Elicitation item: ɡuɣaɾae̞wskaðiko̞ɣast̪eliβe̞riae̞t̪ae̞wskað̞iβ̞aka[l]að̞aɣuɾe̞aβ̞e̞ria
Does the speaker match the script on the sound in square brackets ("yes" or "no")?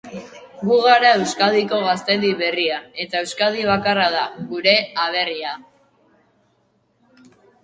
no